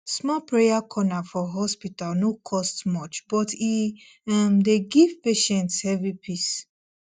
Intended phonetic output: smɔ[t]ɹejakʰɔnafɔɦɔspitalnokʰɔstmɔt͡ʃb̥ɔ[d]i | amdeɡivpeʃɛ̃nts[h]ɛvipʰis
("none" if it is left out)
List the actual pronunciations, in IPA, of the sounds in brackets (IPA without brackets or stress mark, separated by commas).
p, t, h